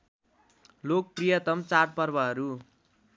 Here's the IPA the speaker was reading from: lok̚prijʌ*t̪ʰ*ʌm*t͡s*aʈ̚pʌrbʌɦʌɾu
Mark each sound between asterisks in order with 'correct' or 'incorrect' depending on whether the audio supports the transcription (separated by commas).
incorrect, correct